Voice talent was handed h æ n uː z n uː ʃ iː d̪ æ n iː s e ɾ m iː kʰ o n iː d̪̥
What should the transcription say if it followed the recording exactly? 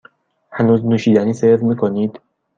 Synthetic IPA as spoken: h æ n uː z n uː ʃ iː d̪ æ n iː s e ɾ m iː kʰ o n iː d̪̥